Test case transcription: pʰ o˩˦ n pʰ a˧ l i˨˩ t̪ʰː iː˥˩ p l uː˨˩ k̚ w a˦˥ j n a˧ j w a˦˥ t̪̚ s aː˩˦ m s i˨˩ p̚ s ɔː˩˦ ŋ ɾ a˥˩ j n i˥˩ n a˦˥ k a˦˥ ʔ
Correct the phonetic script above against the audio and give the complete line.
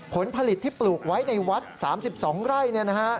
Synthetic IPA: pʰ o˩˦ n pʰ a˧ l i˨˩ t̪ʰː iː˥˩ p l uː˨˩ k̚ w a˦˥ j n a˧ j w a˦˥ t̪̚ s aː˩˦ m s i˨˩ p̚ s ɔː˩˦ ŋ ɾ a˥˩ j n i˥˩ n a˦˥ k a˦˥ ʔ